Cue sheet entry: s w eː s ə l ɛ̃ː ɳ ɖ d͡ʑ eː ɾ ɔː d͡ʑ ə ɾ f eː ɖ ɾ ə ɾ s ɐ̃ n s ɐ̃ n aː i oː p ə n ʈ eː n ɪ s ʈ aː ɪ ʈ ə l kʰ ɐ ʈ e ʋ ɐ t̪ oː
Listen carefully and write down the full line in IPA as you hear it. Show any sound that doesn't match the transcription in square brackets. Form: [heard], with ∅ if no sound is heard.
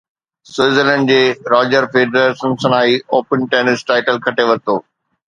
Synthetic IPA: s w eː [z] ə l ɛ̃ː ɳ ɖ d͡ʑ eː ɾ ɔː d͡ʑ ə ɾ f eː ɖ ɾ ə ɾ s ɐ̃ n s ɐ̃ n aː i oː p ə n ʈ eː n ɪ s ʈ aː ɪ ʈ ə l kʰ ɐ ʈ e ʋ ɐ t̪ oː